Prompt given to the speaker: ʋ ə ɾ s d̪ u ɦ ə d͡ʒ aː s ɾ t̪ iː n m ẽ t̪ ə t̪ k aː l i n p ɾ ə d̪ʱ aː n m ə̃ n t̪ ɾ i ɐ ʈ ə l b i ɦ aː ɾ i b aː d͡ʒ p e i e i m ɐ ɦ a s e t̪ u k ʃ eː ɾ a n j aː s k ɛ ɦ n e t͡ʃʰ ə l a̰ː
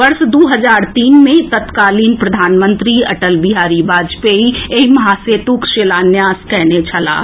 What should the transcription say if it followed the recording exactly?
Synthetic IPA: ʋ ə ɾ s d̪ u ɦ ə d͡ʒ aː ɾ t̪ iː n m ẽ t̪ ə t̪ k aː l i n p ɾ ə d̪ʱ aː n m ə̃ n t̪ ɾ i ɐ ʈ ə l b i ɦ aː ɾ i b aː d͡ʒ p e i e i m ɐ ɦ a s e t̪ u k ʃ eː l a n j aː s k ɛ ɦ n e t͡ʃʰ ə l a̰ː

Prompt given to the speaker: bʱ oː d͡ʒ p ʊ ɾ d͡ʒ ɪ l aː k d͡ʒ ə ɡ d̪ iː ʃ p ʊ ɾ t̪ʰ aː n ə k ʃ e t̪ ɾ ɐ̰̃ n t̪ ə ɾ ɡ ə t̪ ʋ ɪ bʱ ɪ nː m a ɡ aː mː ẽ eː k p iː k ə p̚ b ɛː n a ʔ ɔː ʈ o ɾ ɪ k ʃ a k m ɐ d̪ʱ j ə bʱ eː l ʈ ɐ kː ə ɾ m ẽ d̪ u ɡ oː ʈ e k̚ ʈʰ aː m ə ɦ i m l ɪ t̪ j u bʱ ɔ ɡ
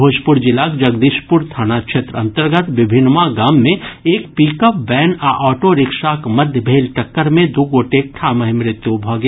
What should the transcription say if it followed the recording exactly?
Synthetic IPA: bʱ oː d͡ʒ p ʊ ɾ d͡ʒ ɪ l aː k d͡ʒ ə ɡ d̪ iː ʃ p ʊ ɾ t̪ʰ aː n a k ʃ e t̪ ɾ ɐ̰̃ n t̪ ə ɾ ɡ ə t̪ ʋ ɪ bʱ ɪ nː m a ɡ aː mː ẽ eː k p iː k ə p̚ b ɛː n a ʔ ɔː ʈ o ɾ ɪ k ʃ a k m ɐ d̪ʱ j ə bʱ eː l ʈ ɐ kː ə ɾ m ẽ d̪ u ɡ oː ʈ e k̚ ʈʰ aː m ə ɦ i m ɾ ɪ t̪ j u bʱ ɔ ɡ

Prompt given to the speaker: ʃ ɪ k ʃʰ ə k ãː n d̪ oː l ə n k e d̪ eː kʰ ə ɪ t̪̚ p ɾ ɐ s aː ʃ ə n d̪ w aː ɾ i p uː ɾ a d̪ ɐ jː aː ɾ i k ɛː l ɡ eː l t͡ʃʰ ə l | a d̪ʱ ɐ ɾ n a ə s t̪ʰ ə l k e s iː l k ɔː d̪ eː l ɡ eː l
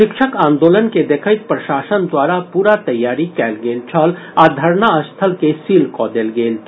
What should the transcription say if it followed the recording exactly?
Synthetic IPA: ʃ ɪ k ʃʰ ə k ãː n d̪ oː l ə n k e d̪ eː kʰ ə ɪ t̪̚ p ɾ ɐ ʃ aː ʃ ə n d̪ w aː ɾ a p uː ɾ a t̪ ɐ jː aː ɾ i k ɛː l ɡ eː l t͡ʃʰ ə l | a d̪ʱ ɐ ɾ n a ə s t̪ʰ ə l k e s iː l k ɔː d̪ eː l ɡ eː l

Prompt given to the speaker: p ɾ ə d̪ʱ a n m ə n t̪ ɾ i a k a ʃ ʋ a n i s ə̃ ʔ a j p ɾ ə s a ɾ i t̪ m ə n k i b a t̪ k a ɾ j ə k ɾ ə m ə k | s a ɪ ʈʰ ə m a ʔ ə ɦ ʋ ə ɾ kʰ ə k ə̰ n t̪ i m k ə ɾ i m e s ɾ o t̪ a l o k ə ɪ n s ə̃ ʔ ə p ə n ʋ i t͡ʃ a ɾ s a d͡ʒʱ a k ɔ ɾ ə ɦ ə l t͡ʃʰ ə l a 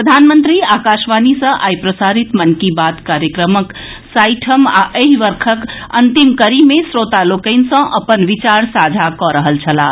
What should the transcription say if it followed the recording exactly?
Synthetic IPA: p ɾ ə d̪ʱ a n m ə n t̪ ɾ i a k a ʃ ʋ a n i s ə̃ ʔ a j p ɾ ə s a ɾ i t̪ m ə n k i b a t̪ k a ɾ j ə k ɾ ə m ə k | s a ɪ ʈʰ ə m a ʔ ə ɦ ʋ ə ɾ kʰ ə k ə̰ n t̪ i m k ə ɾ i m e s ɾ o t̪ a l o k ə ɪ n s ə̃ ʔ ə p ə n ʋ i t͡ʃ a ɾ s a d͡ʒʱ a k ɔ ɾ ə ɦ ə l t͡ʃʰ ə l a

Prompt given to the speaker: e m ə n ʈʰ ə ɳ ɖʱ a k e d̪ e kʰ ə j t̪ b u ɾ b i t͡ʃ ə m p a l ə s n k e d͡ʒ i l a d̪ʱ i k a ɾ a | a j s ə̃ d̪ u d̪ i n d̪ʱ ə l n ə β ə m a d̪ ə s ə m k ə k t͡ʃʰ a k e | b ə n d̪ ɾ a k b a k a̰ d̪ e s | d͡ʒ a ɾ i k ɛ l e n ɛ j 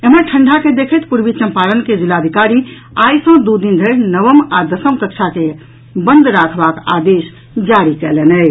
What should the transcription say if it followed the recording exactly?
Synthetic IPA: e m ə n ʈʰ ə ɳ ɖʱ a k e d̪ e kʰ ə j t̪ p u ɾ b i t͡ʃ ə m p a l ə n k e d͡ʒ i l a d̪ʱ i k a ɾ i | a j s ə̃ d̪ u d̪ i n d̪ʱ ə ɾ n ə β ə m a d̪ ə s ə m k ə k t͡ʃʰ a k e | b ə n d̪ ɾ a kʰ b a k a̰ d̪ e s | d͡ʒ a ɾ i k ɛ l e n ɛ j

